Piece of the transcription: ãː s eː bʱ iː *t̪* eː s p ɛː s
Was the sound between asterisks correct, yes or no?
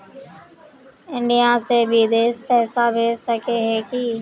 no